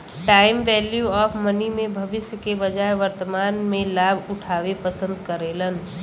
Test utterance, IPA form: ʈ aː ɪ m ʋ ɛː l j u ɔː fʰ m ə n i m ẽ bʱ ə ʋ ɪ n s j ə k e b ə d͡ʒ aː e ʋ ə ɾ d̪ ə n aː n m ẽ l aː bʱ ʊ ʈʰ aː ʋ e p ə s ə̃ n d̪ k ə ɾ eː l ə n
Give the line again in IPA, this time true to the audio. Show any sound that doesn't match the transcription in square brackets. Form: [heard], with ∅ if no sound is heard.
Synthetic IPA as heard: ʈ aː ɪ m ʋ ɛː l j u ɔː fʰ m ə n i m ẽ bʱ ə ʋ ɪ [∅] s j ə k e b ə d͡ʒ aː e ʋ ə ɾ [t̪] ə [m] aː n m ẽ l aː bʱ ʊ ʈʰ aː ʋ e p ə s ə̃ n d̪ k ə ɾ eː l ə n

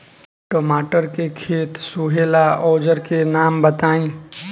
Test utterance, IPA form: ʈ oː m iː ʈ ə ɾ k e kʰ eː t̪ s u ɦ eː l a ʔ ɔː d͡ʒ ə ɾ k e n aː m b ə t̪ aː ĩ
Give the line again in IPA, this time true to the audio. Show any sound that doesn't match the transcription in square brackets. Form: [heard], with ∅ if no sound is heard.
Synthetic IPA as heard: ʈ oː m [aː] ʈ ə ɾ k e kʰ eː t̪ s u ɦ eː l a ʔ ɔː d͡ʒ ə ɾ k e n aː m b ə t̪ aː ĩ

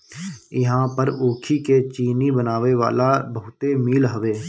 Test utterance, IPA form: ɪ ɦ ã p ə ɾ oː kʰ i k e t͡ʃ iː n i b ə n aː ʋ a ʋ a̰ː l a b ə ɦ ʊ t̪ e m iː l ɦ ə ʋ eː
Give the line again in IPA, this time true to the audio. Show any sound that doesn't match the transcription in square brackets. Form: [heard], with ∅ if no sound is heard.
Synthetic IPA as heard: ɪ ɦ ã p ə ɾ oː kʰ i k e t͡ʃ iː n i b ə n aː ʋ [e] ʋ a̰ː l a b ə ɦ ʊ t̪ e m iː l ɦ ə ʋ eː

